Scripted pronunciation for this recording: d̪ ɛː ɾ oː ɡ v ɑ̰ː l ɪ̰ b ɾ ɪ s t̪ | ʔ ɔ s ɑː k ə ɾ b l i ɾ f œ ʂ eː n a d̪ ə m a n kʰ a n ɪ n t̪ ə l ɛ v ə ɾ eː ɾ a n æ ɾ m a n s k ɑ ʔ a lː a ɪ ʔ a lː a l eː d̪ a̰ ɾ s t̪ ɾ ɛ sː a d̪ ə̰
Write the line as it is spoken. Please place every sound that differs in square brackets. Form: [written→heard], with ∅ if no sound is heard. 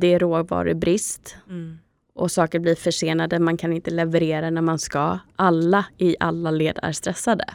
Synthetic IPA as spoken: d̪ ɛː ɾ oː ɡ v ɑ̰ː [l→ɾ] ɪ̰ b ɾ ɪ s t̪ | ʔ ɔ s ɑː k ə ɾ b l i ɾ f œ ʂ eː n a d̪ ə m a n kʰ a n ɪ n t̪ ə l ɛ v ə ɾ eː ɾ a n æ ɾ m a n s k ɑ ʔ a lː a ɪ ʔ a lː a l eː d̪ [a̰→æ̰] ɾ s t̪ ɾ ɛ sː a d̪ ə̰